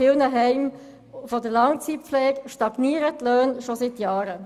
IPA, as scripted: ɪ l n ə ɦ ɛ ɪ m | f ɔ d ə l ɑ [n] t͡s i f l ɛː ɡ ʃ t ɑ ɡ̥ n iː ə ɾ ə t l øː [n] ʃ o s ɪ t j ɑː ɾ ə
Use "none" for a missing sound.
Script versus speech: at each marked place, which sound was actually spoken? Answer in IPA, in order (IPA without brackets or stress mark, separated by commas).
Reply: ŋ, n